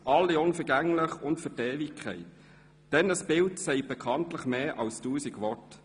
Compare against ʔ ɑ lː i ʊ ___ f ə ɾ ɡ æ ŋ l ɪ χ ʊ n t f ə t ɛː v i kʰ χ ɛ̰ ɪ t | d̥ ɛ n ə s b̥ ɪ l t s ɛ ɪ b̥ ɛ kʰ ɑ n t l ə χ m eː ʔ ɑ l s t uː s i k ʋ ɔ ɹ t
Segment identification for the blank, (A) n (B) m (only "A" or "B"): A